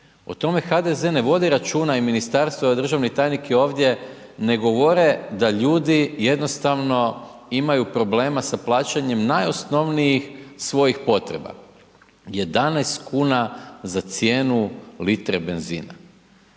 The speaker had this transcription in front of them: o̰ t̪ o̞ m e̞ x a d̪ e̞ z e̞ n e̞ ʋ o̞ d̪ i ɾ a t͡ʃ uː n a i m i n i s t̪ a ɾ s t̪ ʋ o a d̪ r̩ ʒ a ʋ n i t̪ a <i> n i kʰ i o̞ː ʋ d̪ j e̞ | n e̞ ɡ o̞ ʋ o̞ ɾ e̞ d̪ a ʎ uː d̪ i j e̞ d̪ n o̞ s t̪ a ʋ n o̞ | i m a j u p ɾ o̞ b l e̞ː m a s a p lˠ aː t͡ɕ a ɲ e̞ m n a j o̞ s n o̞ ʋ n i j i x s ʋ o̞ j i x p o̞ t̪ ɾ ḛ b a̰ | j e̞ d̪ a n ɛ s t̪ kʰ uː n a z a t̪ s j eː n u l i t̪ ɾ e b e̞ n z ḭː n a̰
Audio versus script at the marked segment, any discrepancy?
yes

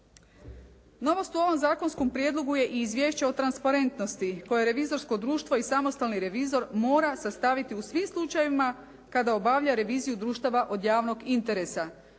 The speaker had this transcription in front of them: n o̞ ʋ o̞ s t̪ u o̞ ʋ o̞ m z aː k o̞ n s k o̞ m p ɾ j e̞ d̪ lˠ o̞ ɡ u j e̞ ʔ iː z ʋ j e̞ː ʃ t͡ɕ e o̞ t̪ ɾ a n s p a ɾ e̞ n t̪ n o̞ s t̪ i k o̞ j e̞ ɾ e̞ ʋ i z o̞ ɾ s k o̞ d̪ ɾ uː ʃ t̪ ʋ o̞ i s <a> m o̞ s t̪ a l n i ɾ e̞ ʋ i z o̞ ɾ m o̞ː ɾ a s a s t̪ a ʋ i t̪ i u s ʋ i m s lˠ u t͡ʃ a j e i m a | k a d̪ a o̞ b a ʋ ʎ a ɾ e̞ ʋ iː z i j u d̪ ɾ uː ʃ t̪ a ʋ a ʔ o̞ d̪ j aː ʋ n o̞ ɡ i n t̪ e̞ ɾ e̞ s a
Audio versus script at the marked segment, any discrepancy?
no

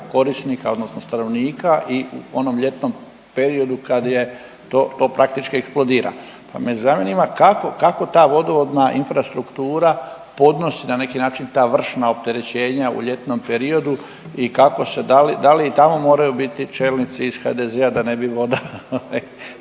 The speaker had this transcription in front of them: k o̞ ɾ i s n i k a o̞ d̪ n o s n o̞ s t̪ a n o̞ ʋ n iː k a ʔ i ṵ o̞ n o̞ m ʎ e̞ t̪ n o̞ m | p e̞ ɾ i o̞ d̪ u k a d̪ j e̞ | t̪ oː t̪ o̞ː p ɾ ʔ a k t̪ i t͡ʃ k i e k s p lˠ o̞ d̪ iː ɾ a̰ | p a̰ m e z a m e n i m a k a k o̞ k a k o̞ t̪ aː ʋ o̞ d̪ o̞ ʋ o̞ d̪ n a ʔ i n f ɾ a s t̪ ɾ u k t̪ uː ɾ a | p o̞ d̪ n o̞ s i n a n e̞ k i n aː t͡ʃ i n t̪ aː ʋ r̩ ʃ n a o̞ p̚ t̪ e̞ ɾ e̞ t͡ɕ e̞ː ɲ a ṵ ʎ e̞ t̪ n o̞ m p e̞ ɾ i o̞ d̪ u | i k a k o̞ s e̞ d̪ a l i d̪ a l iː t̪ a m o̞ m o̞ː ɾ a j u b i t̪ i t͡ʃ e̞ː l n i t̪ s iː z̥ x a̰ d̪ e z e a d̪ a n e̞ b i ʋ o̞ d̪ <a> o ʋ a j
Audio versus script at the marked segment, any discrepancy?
no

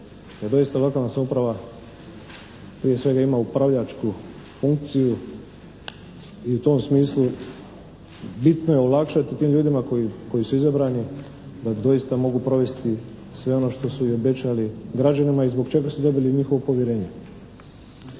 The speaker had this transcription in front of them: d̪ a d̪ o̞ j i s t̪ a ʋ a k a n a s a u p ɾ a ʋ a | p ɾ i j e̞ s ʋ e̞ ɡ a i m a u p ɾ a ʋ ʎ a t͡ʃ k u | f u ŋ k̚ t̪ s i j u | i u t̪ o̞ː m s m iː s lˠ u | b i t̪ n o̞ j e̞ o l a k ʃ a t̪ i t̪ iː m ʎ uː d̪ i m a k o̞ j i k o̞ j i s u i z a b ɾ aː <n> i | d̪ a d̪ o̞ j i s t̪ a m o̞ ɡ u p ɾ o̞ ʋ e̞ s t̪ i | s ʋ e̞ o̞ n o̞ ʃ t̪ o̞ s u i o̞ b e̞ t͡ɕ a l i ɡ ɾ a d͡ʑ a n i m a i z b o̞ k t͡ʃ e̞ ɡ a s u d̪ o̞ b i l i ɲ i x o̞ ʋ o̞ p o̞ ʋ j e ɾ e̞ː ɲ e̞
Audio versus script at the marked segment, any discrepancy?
no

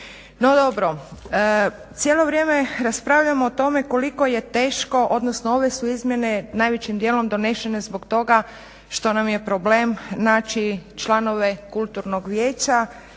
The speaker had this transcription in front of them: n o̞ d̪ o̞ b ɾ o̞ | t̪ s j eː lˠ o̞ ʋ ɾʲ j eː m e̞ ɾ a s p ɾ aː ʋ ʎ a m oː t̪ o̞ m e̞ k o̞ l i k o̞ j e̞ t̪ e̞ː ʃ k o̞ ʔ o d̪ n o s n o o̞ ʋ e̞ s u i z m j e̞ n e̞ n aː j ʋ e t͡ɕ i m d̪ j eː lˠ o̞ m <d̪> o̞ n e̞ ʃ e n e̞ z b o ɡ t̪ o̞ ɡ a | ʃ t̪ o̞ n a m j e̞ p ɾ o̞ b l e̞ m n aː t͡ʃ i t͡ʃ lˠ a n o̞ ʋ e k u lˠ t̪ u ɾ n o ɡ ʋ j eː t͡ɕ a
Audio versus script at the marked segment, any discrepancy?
no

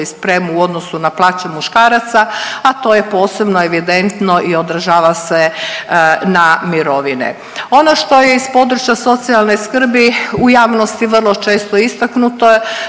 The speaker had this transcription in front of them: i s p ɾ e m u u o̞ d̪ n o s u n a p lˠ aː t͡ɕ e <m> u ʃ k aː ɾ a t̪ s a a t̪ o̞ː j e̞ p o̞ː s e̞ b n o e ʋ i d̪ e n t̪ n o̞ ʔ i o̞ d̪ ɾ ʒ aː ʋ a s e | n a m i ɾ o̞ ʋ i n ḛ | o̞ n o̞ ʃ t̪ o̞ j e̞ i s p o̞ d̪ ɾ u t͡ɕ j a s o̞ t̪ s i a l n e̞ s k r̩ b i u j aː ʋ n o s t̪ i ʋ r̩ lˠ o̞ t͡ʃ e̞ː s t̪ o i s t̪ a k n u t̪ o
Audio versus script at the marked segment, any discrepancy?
no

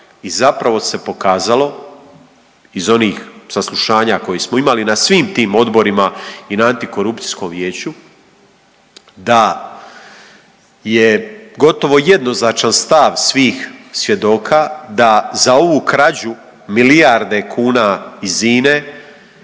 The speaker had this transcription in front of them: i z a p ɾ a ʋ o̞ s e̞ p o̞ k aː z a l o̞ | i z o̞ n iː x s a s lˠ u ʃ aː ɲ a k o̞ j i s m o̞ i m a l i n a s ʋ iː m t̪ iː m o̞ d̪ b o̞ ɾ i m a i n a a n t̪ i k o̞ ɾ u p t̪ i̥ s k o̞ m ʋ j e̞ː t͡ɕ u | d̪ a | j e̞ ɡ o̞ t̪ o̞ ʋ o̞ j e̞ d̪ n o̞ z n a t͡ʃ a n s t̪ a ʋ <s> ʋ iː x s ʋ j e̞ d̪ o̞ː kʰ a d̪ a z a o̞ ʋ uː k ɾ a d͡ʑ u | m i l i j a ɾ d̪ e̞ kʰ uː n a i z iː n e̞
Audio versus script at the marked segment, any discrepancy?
no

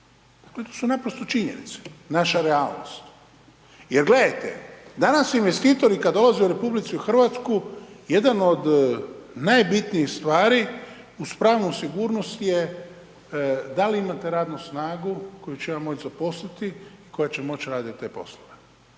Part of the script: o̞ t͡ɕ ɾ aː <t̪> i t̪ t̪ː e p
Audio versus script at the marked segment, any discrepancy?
yes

